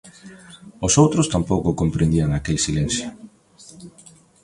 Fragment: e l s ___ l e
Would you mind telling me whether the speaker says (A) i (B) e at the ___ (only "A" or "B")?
A